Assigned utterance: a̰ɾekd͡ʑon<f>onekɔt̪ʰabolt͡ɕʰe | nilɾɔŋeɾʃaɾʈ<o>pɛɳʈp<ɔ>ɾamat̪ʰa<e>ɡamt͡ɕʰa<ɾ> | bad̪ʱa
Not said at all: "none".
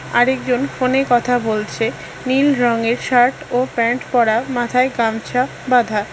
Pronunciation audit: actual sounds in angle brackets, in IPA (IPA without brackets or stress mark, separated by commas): f, o, ɔ, e, none